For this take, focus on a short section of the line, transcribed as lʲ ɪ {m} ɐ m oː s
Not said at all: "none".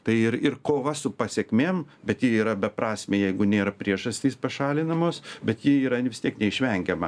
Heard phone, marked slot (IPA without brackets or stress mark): n